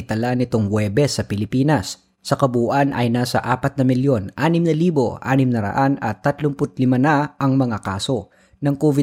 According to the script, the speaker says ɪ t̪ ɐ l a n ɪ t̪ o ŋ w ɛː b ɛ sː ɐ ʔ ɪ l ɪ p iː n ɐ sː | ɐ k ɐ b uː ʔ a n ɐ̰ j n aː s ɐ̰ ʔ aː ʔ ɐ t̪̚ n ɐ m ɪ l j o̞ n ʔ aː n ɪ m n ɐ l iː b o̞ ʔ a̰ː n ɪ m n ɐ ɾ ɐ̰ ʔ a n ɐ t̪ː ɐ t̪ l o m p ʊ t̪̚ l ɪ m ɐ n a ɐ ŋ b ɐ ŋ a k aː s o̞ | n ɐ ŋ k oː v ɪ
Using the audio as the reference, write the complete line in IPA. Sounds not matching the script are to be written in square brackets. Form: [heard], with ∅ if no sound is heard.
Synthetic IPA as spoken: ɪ t̪ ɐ l a n ɪ t̪ o ŋ w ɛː b ɛ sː ɐ [p] ɪ l ɪ p iː n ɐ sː | ɐ k ɐ b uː ʔ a n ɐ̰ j n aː s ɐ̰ ʔ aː [p] ɐ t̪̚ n ɐ m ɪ l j o̞ n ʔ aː n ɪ m n ɐ l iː b o̞ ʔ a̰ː n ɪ m n ɐ ɾ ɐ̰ ʔ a n ɐ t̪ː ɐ t̪ l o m p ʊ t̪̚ l ɪ m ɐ n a ɐ ŋ [m] ɐ ŋ a k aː s o̞ | n ɐ ŋ k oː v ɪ